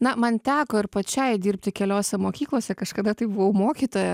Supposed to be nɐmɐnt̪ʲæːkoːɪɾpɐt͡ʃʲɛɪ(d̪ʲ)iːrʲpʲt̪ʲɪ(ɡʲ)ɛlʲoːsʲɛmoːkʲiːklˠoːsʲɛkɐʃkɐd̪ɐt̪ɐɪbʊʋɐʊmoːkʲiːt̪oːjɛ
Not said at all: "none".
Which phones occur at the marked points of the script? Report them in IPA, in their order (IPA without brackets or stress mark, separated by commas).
d̪ʲ, kʲ